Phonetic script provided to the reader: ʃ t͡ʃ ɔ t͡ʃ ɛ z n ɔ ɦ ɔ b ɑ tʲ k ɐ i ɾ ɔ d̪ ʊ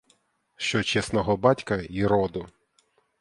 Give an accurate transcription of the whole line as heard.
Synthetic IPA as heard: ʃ t͡ʃ ɔ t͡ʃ ɛ s n ɔ ɦ ɔ b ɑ tʲ k ɐ i ɾ ɔ d̪ ʊ